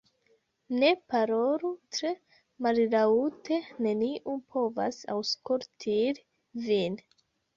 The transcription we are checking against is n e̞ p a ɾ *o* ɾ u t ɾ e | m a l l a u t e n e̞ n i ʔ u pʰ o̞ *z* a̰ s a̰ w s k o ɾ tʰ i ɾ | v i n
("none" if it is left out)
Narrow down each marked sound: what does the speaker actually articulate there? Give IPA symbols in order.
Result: o, v

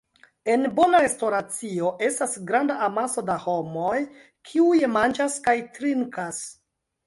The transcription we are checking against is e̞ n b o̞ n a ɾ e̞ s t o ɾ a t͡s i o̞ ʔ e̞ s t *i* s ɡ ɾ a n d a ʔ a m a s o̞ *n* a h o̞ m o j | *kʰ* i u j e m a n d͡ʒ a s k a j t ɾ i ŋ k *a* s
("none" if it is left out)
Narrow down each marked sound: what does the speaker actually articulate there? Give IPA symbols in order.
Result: a, d, kʰ, a

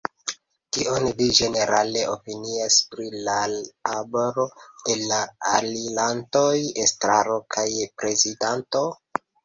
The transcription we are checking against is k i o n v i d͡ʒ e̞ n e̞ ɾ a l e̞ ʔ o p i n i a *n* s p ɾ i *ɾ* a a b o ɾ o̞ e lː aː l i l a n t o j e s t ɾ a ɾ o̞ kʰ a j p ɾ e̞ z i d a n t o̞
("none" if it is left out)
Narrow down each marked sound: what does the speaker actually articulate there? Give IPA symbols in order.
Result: none, l

